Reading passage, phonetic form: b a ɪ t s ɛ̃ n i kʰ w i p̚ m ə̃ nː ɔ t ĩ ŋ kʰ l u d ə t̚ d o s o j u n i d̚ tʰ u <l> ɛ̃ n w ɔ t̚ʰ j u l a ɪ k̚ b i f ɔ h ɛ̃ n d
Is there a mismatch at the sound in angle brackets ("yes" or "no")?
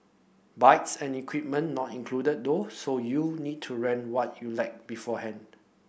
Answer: yes